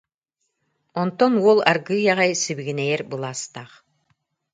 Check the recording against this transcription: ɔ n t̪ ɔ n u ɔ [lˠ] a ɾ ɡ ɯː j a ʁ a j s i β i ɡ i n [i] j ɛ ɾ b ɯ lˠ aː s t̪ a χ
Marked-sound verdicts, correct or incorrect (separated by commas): correct, incorrect